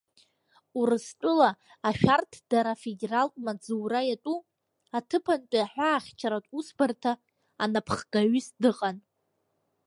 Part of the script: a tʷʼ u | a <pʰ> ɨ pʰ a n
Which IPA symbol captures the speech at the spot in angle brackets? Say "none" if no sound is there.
tʰ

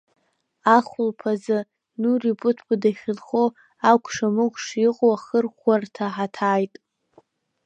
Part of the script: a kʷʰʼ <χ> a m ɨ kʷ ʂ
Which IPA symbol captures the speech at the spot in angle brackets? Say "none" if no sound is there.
ʂ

